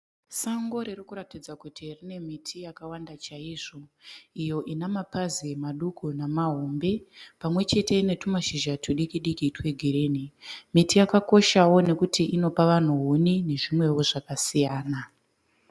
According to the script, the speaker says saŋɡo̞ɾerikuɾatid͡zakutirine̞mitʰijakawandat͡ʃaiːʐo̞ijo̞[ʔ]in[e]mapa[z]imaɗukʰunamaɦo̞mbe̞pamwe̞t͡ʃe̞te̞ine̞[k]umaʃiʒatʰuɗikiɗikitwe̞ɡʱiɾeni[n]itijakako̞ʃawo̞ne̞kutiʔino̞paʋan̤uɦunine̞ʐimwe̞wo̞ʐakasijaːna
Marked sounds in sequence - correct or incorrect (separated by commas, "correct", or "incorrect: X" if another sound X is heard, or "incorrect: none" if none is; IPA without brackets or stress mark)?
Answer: correct, incorrect: a, correct, incorrect: t, incorrect: m